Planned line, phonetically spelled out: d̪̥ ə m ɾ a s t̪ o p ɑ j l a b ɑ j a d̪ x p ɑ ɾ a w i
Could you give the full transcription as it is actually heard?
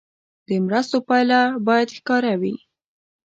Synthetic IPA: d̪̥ ə m ɾ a s t̪ o p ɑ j l a b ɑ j a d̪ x k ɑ ɾ a w i